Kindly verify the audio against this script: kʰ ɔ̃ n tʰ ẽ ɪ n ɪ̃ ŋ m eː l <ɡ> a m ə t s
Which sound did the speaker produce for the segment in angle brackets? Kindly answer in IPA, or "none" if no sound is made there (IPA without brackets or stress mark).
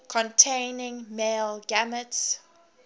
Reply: ɡ